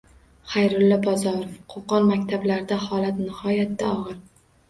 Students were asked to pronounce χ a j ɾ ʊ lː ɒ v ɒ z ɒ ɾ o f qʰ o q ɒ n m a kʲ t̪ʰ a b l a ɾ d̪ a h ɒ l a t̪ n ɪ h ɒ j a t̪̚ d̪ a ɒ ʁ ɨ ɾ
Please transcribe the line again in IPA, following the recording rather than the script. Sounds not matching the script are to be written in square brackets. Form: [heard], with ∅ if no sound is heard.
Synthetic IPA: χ a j ɾ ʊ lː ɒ [b] ɒ z ɒ ɾ o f qʰ o q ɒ n m a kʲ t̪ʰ a b l a ɾ d̪ a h ɒ l a t̪ n ɪ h ɒ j a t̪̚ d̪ a ɒ ʁ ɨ ɾ